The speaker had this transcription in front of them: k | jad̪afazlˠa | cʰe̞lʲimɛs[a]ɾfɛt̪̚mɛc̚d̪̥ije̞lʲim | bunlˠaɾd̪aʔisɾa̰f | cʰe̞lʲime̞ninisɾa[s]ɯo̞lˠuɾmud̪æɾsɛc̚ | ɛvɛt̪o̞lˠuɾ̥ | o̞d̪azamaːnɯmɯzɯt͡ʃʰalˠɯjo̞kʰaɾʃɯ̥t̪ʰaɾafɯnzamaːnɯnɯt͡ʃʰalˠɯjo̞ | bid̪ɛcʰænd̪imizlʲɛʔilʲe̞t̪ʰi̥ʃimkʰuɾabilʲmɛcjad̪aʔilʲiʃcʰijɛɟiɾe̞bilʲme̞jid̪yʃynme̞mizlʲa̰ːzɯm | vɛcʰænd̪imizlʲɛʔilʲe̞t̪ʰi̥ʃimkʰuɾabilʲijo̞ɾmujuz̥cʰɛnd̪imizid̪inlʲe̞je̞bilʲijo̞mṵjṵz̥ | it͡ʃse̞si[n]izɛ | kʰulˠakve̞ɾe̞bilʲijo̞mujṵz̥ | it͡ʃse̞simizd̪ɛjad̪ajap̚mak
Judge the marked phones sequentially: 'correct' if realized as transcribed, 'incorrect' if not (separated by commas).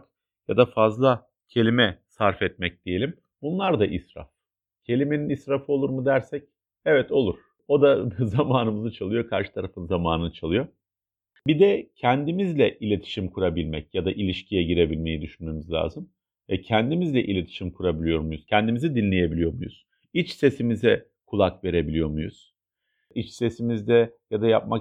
correct, incorrect, incorrect